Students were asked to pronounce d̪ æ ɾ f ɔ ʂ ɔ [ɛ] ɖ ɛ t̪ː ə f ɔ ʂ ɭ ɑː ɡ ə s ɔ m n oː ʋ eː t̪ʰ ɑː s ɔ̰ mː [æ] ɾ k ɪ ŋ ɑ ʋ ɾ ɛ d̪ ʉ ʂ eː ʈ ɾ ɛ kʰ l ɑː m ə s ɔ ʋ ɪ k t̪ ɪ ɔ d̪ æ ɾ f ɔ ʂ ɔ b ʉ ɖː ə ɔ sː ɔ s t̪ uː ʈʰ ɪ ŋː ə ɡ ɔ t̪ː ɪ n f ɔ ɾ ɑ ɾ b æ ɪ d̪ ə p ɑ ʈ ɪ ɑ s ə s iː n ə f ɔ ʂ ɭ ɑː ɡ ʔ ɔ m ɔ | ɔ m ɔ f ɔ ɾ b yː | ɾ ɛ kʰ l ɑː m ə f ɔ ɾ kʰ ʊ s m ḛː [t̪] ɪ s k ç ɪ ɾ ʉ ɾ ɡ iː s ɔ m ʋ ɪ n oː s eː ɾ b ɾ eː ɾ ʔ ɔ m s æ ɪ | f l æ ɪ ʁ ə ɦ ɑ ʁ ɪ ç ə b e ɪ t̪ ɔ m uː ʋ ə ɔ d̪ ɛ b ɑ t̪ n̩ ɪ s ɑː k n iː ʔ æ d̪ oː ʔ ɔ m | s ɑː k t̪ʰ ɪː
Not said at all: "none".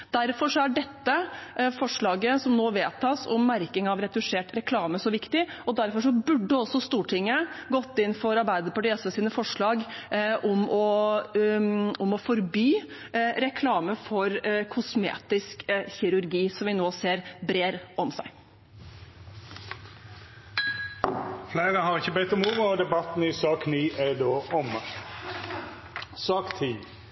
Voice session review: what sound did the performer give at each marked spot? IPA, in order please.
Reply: æ, æ, t̪

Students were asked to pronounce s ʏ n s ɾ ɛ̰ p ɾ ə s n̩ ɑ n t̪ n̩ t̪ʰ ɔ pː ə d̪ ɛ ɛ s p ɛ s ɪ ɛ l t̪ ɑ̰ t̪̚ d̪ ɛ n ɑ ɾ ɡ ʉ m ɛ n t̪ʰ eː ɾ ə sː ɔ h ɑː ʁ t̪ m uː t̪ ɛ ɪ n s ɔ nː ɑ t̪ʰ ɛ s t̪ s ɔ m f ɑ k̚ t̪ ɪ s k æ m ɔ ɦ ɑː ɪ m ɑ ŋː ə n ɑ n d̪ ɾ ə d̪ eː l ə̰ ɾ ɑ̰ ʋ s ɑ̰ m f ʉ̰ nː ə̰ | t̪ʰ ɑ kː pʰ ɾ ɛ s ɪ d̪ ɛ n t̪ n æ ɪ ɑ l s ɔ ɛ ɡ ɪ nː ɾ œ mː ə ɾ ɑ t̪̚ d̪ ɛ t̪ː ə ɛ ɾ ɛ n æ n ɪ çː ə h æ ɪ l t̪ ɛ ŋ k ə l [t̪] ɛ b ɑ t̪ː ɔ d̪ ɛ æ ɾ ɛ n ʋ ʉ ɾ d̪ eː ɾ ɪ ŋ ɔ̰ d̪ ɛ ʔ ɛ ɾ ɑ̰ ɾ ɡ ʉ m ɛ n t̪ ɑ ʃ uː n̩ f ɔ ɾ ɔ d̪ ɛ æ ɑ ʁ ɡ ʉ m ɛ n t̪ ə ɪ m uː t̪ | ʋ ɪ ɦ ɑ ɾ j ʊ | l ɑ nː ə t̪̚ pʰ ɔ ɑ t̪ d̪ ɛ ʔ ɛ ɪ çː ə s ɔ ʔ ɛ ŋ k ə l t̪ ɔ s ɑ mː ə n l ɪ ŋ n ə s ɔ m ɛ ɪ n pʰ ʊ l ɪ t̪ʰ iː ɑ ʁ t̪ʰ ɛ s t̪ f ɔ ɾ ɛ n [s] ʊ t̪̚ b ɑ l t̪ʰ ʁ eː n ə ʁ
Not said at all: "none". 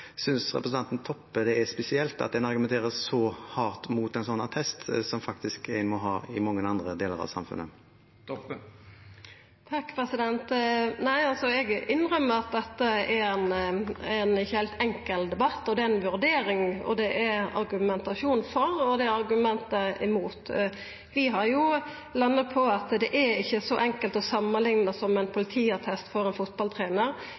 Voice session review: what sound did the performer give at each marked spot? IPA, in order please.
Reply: d̪, f

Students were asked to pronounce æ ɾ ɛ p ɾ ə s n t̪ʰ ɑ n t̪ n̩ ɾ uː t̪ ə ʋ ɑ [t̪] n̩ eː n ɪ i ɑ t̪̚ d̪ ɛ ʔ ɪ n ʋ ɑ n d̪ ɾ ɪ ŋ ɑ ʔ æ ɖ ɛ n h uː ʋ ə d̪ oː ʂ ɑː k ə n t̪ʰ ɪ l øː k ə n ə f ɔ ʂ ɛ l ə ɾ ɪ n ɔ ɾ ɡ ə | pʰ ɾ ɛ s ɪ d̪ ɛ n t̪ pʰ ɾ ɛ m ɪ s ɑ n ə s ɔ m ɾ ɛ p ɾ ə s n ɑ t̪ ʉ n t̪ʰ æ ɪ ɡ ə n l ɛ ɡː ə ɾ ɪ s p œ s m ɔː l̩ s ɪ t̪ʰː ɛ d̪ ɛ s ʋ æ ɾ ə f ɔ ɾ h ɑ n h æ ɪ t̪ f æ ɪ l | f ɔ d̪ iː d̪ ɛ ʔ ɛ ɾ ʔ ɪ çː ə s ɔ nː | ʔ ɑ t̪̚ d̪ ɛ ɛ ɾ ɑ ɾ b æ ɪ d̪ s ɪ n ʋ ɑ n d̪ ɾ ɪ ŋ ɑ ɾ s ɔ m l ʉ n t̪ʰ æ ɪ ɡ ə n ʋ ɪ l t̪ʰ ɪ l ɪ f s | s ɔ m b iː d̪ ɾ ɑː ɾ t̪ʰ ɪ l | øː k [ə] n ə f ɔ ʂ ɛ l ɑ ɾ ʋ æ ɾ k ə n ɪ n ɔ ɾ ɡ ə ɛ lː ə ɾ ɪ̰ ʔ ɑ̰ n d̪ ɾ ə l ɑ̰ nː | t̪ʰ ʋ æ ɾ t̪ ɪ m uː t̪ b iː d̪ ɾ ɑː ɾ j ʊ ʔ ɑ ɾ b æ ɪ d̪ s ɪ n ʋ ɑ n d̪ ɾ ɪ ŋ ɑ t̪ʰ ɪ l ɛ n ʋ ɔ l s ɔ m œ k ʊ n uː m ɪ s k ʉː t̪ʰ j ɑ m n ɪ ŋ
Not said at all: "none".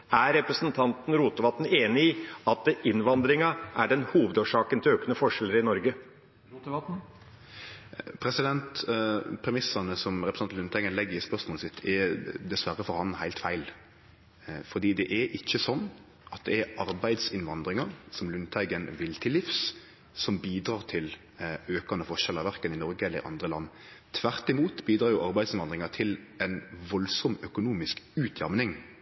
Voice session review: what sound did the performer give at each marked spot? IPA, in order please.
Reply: t̪, ɑ

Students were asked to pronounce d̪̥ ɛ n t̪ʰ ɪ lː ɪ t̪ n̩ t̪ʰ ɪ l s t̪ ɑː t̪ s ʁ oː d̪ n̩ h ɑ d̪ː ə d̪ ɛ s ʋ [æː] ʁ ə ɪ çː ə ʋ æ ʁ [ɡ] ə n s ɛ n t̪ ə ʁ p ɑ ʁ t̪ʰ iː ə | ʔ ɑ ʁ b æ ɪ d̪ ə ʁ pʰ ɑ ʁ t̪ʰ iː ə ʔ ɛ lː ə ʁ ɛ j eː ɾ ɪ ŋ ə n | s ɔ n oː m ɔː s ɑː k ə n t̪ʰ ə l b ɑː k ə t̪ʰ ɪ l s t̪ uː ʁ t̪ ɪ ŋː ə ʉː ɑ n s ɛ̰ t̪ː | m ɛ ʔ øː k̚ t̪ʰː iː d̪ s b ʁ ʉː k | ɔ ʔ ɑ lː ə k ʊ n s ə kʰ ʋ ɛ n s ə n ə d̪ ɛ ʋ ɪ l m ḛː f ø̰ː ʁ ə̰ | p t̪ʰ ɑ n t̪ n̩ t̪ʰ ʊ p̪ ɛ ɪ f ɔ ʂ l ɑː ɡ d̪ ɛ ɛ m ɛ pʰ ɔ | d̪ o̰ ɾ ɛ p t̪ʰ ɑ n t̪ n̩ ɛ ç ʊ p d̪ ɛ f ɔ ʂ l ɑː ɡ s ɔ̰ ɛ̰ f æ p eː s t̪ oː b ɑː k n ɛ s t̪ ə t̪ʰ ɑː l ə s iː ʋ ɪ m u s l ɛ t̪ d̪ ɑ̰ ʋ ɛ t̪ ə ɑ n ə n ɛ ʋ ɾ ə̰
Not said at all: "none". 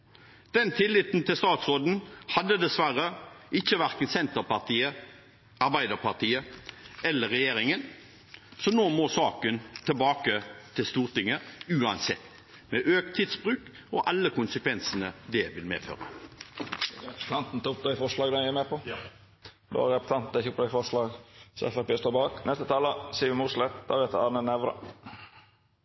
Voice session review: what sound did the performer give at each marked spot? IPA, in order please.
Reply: æ, k

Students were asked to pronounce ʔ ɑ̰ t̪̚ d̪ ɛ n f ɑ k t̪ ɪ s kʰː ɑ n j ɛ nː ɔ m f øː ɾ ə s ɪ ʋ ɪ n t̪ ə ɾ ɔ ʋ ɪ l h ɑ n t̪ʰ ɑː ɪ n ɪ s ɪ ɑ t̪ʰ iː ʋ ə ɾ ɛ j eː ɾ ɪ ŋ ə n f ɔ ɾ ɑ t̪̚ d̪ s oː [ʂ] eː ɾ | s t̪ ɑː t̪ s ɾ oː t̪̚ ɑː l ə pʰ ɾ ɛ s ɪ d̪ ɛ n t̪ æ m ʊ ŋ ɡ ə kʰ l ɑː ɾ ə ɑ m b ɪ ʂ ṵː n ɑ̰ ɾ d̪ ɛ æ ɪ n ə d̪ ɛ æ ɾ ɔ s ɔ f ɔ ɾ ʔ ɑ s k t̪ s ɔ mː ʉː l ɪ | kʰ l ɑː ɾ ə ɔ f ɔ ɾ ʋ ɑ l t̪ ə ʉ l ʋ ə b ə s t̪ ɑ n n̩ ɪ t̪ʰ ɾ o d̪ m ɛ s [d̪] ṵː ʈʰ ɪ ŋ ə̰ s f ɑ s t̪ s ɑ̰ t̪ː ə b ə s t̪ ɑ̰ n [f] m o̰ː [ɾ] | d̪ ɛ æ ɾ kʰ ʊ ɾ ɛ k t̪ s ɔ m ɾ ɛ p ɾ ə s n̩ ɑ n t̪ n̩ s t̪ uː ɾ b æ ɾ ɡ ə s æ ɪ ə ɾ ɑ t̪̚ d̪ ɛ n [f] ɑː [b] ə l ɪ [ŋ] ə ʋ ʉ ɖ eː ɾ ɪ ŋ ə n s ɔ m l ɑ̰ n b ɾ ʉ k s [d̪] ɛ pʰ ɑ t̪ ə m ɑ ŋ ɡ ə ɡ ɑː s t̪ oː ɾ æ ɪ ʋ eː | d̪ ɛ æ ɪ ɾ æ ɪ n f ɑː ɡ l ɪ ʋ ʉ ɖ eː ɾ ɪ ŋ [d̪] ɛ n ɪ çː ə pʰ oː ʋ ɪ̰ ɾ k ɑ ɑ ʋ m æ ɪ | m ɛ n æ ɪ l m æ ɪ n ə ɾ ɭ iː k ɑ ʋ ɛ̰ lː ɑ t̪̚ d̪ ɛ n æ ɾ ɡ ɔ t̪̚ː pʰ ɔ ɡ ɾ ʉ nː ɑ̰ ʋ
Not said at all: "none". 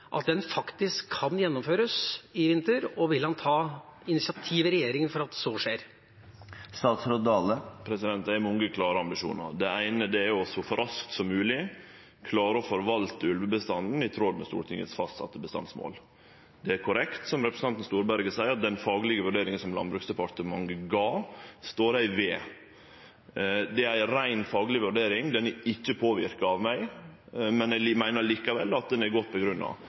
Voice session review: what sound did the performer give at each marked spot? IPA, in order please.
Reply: ʂ, t̪, s, l, f, ɡ, ɡ, d̪, d̪

